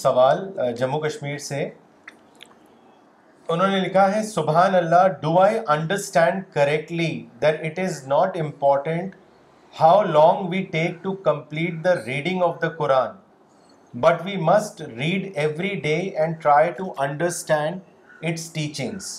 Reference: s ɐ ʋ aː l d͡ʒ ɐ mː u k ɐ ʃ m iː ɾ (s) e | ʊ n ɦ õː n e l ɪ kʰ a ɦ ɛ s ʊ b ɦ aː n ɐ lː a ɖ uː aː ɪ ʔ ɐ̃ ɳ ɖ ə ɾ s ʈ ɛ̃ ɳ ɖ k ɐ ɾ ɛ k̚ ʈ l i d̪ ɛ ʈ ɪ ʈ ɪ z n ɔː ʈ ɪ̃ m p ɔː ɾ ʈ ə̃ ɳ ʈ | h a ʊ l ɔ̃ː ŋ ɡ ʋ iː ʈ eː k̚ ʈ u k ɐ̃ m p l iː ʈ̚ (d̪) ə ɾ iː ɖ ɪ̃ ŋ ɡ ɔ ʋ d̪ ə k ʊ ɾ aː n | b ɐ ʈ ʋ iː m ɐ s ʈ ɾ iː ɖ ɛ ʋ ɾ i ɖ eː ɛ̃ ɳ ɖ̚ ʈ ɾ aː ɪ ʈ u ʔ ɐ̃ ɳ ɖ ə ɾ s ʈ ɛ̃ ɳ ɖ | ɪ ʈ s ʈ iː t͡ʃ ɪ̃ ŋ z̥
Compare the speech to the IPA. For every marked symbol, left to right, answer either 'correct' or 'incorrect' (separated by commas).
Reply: correct, correct